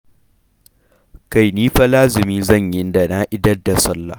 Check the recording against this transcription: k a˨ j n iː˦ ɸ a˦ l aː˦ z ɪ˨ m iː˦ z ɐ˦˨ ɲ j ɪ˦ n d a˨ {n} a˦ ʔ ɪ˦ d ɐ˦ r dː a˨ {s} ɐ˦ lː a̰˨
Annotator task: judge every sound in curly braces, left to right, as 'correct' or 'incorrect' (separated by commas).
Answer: correct, correct